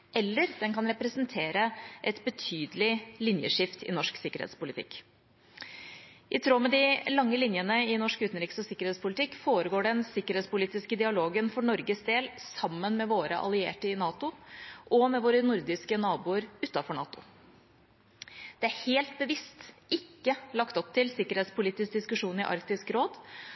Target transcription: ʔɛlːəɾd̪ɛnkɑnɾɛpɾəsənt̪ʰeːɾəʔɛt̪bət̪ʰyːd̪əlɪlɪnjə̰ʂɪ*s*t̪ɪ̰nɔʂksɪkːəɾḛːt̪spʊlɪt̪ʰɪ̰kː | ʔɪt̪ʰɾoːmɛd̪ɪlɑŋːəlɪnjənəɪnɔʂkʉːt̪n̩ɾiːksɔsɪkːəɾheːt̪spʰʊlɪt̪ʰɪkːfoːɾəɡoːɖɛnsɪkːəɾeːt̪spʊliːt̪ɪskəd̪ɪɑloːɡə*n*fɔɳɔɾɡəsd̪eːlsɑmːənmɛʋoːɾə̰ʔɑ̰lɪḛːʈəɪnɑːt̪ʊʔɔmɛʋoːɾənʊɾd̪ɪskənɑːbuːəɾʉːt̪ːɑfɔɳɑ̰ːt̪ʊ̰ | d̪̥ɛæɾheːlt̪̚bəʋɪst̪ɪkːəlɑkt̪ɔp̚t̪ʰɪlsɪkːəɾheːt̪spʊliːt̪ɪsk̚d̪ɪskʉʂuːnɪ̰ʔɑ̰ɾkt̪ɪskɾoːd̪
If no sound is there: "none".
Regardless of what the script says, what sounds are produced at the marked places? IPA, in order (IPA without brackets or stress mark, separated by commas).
f, n